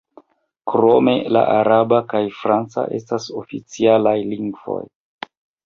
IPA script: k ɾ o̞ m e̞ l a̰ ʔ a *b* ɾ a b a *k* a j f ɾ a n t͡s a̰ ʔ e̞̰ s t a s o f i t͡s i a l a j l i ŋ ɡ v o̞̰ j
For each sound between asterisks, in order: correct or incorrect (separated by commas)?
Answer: incorrect, correct